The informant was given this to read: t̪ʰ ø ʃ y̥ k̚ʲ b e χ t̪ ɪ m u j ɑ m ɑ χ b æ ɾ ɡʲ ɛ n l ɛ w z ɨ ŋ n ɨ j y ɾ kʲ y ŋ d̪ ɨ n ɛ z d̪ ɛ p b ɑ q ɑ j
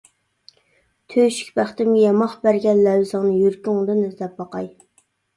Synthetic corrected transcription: t̪ʰ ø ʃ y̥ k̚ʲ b æ χ t̪ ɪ m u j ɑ m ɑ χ b æ ɾ ɡʲ ɛ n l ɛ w z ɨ ŋ n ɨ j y ɾ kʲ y ŋ d̪ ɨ n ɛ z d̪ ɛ p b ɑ q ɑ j

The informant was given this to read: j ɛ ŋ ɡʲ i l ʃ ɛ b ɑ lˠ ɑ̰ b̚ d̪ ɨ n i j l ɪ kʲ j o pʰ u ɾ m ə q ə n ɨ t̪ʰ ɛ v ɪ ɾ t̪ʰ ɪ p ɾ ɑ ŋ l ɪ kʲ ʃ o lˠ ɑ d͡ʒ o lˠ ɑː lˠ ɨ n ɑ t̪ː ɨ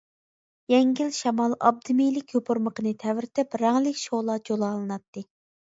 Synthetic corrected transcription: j ɛ ŋ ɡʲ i l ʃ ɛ m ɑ lˠ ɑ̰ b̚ d̪ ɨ m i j l ɪ kʲ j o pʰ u ɾ m ə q ə n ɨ t̪ʰ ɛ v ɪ ɾ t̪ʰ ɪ p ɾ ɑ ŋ l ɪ kʲ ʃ o lˠ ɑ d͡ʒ o lˠ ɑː lˠ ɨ n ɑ t̪ː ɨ

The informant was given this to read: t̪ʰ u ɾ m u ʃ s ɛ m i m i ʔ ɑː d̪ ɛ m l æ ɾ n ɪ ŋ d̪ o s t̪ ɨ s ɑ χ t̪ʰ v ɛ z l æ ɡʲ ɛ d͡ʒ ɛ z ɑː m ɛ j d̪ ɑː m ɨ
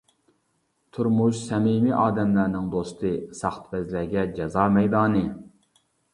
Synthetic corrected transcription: t̪ʰ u ɾ m u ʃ s ɛ m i m i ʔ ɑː d̪ ɛ m l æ ɾ n ɪ ŋ d̪ o s t̪ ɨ s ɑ χ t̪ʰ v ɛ z l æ ɡʲ ɛ d͡ʒ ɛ z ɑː m ɛ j d̪ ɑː n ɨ

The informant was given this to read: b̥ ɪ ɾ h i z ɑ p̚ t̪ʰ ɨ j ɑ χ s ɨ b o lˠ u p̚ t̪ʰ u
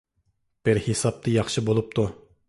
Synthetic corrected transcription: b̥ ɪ ɾ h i s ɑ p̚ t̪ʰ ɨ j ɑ χ ʃ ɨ b o lˠ u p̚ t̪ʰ u

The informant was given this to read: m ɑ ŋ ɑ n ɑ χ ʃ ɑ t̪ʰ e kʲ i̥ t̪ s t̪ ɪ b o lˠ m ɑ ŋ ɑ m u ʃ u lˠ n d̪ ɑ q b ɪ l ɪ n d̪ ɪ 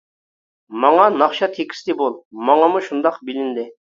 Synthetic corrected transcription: m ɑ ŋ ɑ n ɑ χ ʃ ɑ t̪ʰ e kʲ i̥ s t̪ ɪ b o lˠ m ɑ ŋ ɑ m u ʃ u n d̪ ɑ q b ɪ l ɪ n d̪ ɪ

